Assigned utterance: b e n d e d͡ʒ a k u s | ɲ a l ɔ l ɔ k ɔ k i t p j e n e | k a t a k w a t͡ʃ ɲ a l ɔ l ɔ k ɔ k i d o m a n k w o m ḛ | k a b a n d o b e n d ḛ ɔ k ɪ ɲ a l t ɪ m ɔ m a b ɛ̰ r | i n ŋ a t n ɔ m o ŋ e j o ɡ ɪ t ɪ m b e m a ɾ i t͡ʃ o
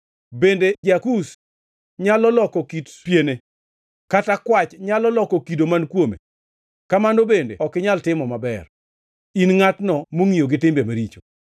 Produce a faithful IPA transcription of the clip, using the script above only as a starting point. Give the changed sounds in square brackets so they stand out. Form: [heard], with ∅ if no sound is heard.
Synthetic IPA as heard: b e n d e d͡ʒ a k u s | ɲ a l ɔ l ɔ k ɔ k i t p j e n e | k a t a k w a t͡ʃ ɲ a l ɔ l ɔ k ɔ k i d o m a n k w o m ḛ | k a [m] a n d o b e n d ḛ ɔ k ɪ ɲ a l t ɪ m ɔ m a b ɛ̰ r | i n ŋ a t n ɔ m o ŋ [i] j o ɡ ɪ t ɪ m b e m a ɾ i t͡ʃ o

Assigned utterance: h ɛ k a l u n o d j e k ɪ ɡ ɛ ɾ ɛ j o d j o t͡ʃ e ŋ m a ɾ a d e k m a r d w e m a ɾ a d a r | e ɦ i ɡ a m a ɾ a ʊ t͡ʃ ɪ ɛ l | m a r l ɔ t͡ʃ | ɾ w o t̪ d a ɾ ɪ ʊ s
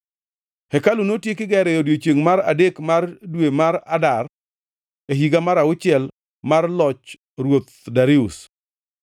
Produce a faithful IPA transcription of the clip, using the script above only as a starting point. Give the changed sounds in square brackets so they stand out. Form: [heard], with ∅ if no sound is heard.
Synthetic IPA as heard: h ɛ k a l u n o [t] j e k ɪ ɡ ɛ ɾ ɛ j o d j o t͡ʃ e ŋ m a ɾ a d e k m a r d w e m a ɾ a d a r | e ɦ i ɡ a m a ɾ a ʊ t͡ʃ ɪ ɛ l | m a r l ɔ t͡ʃ | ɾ w o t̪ d a ɾ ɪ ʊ s

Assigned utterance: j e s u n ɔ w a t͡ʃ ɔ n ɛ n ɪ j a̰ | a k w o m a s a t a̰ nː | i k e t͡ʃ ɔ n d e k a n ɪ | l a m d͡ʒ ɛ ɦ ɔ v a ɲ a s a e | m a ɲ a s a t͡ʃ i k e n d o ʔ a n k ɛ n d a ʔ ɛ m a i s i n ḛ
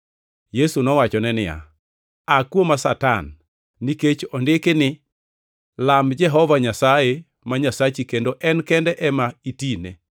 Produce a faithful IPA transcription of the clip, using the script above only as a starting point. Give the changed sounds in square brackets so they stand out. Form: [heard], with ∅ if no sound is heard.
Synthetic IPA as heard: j e s u n ɔ w a t͡ʃ ɔ n ɛ n ɪ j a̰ | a k w o m a s a t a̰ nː | i k e t͡ʃ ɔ n d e k [e] n ɪ | l a m d͡ʒ ɛ ɦ ɔ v a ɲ a s a e | m a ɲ a s a t͡ʃ i k e n d o ʔ [ɛ] n k ɛ n d [ɛ] ʔ ɛ m a i [t] i n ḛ

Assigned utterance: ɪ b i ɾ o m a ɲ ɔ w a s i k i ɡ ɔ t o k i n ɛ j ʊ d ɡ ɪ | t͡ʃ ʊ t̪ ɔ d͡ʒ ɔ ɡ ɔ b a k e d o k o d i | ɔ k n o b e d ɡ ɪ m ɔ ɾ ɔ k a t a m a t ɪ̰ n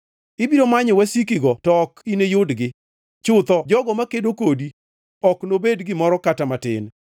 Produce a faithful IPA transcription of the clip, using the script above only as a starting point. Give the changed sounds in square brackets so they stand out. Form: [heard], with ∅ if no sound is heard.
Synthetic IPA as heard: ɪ b i ɾ o m a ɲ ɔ w a s i k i ɡ ɔ t [ɔ] k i n [e] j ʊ d ɡ ɪ | t͡ʃ ʊ t̪ ɔ d͡ʒ ɔ ɡ ɔ [m] a k e d o k o d i | ɔ k n o b e d ɡ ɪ m ɔ ɾ ɔ k a t a m a t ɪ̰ n

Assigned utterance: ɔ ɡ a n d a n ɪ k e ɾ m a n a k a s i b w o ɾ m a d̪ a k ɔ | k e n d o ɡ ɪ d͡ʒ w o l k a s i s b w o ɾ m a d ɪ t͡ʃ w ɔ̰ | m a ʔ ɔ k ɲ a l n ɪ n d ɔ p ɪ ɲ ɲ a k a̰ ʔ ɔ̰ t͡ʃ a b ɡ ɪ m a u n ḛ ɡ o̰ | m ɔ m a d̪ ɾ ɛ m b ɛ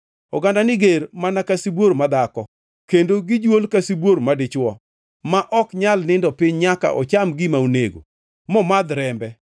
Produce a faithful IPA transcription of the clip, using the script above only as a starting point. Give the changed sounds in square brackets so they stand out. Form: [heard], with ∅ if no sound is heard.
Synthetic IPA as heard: ɔ ɡ a n d a n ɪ [ɡ] e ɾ m a n a k a s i b w o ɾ m a d̪ a k ɔ | k e n d o ɡ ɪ d͡ʒ w o l k a s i [∅] b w o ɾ m a d ɪ t͡ʃ w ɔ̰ | m a ʔ ɔ k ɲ a l n ɪ n d ɔ p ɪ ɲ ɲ a k a̰ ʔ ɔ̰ t͡ʃ a [m] ɡ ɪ m a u n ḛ ɡ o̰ | m ɔ m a d̪ ɾ ɛ m b ɛ

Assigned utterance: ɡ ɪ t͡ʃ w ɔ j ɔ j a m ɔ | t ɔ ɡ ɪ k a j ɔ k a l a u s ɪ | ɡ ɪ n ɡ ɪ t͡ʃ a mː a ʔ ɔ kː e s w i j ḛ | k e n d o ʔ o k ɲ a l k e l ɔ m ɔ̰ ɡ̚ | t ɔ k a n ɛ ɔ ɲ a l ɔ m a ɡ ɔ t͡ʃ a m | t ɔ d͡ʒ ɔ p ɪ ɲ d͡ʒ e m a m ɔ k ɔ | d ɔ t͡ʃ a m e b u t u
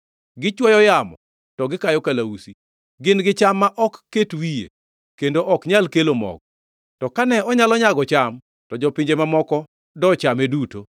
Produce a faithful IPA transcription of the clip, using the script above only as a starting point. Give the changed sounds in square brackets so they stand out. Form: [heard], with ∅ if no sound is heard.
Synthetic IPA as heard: ɡ ɪ t͡ʃ w ɔ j ɔ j a m ɔ | t ɔ ɡ ɪ k a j ɔ k a l a u s [i] | ɡ ɪ n ɡ ɪ t͡ʃ a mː a ʔ ɔ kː e [t] w i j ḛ | k e n d o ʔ [ɔ] k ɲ a l k e l [o] m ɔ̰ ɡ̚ | t ɔ k a n ɛ ɔ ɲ a l ɔ [ɲ] a ɡ ɔ t͡ʃ a m | t ɔ d͡ʒ ɔ p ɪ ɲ d͡ʒ e m a m ɔ k ɔ | d ɔ t͡ʃ a m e [d] u t [o]

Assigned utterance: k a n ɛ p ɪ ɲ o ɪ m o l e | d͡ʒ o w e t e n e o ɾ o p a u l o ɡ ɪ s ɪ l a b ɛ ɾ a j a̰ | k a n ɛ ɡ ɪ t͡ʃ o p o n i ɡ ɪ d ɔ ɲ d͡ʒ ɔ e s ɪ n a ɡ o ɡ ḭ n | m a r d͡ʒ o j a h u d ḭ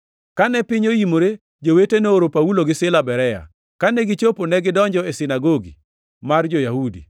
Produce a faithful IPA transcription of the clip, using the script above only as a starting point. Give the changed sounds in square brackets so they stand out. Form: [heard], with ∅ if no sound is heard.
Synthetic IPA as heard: k a n ɛ p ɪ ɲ o [i] m o [ɾ] e | d͡ʒ o w e t e n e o ɾ o p a u l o ɡ ɪ s ɪ l a b ɛ ɾ [ɛ] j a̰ | k a n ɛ ɡ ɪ t͡ʃ o p o n [ɛ] ɡ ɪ d ɔ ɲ d͡ʒ ɔ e s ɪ n a ɡ o ɡ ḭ [∅] | m a r d͡ʒ o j a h u d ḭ

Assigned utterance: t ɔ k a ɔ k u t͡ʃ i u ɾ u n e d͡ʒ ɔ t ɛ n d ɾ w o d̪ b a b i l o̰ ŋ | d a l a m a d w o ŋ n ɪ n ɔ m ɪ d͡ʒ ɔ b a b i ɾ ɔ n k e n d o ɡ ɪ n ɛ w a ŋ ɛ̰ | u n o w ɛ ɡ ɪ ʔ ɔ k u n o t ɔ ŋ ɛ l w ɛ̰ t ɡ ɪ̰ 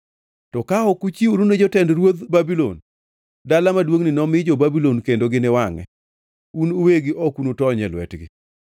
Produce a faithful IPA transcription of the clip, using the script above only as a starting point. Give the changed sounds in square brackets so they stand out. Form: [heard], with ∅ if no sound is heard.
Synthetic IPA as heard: t ɔ k a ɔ k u t͡ʃ i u ɾ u n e d͡ʒ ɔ t ɛ n d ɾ w o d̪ b a b i l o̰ [n] | d a l a m a d w o ŋ n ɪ n ɔ m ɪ d͡ʒ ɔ b a b i [l] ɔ n k e n d o ɡ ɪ n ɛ w a ŋ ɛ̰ | u n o w [e] ɡ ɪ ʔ ɔ k u n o t ɔ [ɲ] ɛ l w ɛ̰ t ɡ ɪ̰

